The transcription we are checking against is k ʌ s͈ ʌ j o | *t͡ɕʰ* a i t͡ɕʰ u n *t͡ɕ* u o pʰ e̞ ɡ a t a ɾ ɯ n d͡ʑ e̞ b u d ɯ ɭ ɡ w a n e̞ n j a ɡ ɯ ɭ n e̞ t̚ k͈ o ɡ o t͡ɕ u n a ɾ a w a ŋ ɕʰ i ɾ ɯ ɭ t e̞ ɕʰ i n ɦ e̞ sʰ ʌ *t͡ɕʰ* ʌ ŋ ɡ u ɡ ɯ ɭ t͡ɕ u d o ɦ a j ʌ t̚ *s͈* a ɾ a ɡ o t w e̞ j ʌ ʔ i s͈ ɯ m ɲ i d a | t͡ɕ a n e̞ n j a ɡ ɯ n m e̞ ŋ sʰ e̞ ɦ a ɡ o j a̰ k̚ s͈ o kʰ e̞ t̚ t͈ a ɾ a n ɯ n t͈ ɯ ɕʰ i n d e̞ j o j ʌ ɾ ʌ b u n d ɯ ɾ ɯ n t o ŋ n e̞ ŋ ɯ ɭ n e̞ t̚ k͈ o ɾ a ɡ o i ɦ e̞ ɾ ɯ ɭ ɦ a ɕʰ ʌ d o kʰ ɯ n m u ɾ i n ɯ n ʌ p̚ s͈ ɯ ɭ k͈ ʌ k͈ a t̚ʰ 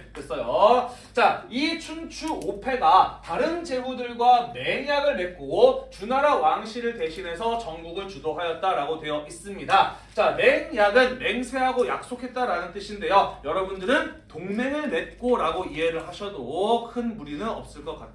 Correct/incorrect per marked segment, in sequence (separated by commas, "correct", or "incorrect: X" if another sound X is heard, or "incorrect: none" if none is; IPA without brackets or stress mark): incorrect: t͡ɕ, incorrect: t͡ɕʰ, incorrect: t͡ɕ, incorrect: t͈